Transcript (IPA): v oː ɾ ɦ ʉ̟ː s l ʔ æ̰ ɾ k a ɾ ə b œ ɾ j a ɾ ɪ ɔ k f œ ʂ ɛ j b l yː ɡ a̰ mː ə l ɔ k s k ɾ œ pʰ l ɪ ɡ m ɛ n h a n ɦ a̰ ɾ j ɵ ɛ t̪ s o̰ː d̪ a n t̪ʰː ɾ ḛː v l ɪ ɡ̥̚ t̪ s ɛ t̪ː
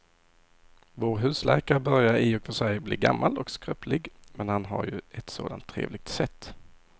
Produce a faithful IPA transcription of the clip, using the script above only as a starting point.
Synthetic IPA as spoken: v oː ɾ ɦ ʉ̟ː s l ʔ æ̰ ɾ k a ɾ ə b œ ɾ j a ɾ ɪ ɔ k f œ ʂ ɛ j b l iː ɡ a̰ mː a l ɔ k s k ɾ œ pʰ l ɪ ɡ m ɛ n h a n ɦ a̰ ɾ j ɵ ɛ t̪ s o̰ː d̪ a n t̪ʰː ɾ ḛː v l ɪ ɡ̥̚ t̪ s ɛ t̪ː